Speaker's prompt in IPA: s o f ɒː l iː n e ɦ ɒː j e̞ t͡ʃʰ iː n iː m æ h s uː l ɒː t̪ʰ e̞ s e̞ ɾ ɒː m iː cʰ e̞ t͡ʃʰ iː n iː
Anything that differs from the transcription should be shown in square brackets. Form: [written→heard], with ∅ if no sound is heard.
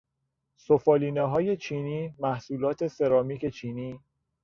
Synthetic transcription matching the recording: s o f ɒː l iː n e ɦ ɒː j e̞ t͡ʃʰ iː n iː m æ h s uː l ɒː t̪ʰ e̞ s e̞ ɾ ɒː m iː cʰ e̞ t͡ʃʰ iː n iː

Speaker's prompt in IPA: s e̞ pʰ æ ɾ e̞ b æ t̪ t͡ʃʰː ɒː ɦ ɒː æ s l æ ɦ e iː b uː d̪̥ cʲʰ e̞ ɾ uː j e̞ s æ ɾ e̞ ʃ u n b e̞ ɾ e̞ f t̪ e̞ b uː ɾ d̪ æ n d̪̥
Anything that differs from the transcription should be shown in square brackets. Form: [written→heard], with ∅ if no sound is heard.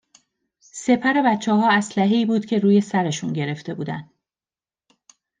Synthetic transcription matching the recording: s e̞ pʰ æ ɾ e̞ b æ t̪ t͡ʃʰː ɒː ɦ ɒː æ s l æ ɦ e iː b uː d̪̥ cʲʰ e̞ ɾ uː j e̞ s æ ɾ e̞ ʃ u n [b→ɟ] e̞ ɾ e̞ f t̪ e̞ b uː [ɾ→∅] d̪ æ n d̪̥

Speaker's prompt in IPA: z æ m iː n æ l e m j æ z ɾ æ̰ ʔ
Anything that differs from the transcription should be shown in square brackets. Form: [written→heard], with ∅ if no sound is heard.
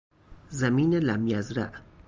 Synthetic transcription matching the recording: z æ m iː n [æ→e] l [e→æ] m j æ z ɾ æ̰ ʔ

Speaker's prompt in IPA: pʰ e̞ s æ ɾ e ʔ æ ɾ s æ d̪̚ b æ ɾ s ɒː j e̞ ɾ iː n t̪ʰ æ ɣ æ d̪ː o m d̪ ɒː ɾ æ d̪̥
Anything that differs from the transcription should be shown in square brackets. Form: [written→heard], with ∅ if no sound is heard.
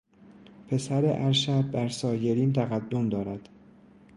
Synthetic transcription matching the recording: pʰ e̞ s æ ɾ e ʔ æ ɾ [s→ʃ] æ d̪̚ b æ ɾ s ɒː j e̞ ɾ iː n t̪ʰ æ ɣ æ d̪ː o m d̪ ɒː ɾ æ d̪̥

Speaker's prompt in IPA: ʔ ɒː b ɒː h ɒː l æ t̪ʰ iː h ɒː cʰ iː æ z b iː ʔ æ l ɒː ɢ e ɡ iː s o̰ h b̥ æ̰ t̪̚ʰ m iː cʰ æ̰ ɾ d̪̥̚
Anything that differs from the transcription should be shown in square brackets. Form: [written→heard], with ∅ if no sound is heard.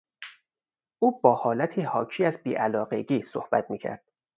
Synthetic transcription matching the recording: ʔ [ɒː→uː] b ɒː h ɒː l æ t̪ʰ iː h ɒː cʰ iː æ z b iː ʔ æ l ɒː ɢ e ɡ iː s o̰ h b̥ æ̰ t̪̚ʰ m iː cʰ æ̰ ɾ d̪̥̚

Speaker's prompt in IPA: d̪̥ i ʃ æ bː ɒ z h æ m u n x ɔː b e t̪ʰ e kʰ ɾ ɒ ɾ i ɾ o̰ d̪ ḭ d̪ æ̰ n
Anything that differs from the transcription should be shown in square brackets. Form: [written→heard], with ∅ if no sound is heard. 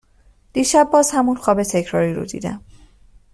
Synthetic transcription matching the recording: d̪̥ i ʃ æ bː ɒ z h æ m u n x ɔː b e t̪ʰ e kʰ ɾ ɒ ɾ i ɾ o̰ d̪ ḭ d̪ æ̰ [n→m]

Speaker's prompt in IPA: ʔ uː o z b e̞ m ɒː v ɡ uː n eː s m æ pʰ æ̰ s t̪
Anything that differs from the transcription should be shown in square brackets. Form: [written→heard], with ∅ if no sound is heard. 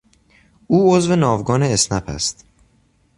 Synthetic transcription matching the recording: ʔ uː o z [b→v] e̞ [m→n] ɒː v ɡ [uː→ɒː] n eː s [m→n] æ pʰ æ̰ s t̪

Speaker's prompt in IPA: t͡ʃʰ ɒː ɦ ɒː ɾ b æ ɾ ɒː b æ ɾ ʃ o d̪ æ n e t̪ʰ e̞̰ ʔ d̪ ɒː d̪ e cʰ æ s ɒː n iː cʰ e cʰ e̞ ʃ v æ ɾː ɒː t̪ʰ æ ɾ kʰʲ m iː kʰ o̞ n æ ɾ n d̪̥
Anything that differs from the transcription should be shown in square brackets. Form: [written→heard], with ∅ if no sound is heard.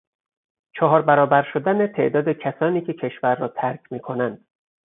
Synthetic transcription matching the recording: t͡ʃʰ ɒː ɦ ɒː ɾ b æ ɾ ɒː b æ ɾ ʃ o d̪ æ n e t̪ʰ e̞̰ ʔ d̪ ɒː d̪ e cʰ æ s ɒː n iː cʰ e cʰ e̞ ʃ v æ ɾː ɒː t̪ʰ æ ɾ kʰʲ m iː kʰ o̞ n æ [ɾ→∅] n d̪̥

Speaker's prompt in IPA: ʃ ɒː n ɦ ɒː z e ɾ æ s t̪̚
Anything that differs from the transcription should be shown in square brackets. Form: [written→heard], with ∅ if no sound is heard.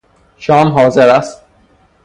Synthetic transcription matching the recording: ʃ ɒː [n→m] ɦ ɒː z e ɾ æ s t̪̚

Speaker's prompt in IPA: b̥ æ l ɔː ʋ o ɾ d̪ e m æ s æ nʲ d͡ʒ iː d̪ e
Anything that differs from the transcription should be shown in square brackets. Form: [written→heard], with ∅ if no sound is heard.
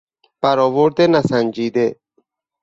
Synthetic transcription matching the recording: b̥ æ [l→ɾ] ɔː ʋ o ɾ d̪ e [m→n] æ s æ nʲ d͡ʒ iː d̪ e

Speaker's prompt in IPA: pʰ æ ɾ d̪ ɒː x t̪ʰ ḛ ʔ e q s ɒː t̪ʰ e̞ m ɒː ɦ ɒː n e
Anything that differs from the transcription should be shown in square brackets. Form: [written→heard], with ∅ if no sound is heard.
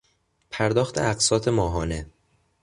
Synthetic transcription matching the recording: pʰ æ ɾ d̪ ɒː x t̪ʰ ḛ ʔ [e→æ] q s ɒː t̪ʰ e̞ m ɒː ɦ ɒː n e

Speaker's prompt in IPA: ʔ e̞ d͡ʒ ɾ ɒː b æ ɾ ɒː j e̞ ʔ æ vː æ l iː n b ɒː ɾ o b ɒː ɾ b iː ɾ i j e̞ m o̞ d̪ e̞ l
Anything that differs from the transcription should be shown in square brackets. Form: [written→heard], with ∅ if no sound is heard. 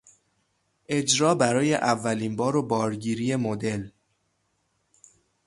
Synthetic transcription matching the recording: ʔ e̞ d͡ʒ ɾ ɒː b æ ɾ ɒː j e̞ ʔ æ vː æ l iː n b ɒː ɾ o b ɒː ɾ [b→ɟ] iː ɾ i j e̞ m o̞ d̪ e̞ l

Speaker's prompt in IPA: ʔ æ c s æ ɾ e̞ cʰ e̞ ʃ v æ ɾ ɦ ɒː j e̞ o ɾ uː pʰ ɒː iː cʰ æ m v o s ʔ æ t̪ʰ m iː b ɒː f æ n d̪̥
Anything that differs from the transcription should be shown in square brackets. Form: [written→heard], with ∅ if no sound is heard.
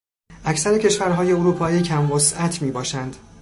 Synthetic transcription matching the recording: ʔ æ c s æ ɾ e̞ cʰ e̞ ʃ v æ ɾ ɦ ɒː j e̞ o ɾ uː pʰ ɒː iː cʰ æ m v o s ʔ æ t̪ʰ m iː b ɒː [f→ʃ] æ n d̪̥

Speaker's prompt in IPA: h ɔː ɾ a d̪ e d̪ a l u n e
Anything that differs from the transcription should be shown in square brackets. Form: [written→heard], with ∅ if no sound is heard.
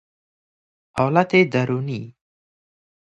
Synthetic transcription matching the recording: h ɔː [ɾ→l] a [d̪→t̪] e d̪ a [l→ɾ] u n [e→i]

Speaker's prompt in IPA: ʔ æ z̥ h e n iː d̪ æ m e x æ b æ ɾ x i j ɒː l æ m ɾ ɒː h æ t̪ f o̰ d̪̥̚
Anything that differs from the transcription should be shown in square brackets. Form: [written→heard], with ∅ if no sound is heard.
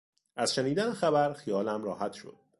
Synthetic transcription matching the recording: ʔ æ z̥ [h→ʃ] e n iː d̪ æ [m→n] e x æ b æ ɾ x i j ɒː l æ m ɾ ɒː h æ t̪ [f→ʃ] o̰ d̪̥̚

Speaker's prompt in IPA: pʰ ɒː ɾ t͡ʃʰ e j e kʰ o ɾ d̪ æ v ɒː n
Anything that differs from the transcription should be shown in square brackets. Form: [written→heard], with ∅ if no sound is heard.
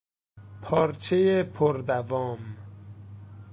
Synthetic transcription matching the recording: pʰ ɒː ɾ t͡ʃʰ e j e [kʰ→pʰ] o ɾ d̪ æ v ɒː [n→m]

